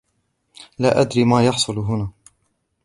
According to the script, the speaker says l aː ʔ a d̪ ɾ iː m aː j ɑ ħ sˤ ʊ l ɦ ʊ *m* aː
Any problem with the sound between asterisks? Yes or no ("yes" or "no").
yes